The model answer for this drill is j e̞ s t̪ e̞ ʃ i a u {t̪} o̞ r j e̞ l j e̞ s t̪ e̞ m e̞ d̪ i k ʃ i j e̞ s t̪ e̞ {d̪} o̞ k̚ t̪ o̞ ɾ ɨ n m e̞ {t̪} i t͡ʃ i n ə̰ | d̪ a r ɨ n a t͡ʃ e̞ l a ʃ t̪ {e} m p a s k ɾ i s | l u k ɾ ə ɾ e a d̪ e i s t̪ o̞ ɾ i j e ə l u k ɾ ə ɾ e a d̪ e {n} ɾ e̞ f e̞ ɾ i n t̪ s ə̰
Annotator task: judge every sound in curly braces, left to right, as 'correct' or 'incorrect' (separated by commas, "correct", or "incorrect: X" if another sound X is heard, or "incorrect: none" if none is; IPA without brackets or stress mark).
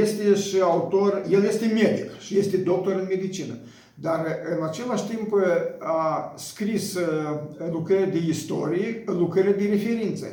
correct, correct, incorrect: d̪, incorrect: i, incorrect: none